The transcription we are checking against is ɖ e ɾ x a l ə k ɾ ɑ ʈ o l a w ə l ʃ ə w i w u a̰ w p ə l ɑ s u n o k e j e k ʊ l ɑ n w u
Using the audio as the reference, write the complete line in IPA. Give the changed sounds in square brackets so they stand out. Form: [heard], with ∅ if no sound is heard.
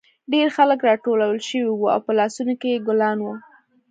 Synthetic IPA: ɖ e ɾ x a l ə k ɾ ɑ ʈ o l a w ə l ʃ ə w i w u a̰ w p ə l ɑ s u n o k e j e [ɡ] ʊ l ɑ n w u